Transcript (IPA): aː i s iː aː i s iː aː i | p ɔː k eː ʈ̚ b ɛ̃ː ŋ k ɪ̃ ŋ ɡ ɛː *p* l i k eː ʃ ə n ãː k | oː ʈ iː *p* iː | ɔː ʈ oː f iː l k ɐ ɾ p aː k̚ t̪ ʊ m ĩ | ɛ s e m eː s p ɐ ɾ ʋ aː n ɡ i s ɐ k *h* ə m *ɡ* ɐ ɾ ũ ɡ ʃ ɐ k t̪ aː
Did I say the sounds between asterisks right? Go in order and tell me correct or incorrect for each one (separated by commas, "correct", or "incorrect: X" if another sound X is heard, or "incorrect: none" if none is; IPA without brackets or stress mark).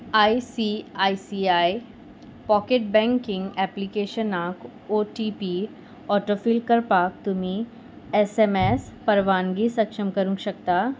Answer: correct, correct, incorrect: ʃ, incorrect: k